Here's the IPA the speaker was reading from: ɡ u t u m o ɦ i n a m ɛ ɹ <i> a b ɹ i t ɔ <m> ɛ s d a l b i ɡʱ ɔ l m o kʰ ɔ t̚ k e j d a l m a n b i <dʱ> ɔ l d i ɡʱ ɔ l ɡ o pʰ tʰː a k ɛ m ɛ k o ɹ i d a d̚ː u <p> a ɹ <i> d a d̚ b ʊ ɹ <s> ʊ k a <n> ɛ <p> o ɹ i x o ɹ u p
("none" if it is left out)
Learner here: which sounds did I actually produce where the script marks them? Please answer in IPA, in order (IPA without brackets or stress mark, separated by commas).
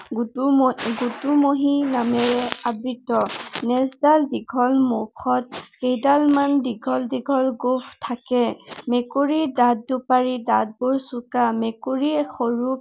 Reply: ɛ, n, ɡʱ, p, i, s, m, k